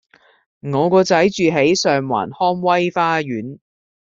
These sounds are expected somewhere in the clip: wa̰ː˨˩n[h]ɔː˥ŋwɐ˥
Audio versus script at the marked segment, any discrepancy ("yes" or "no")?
no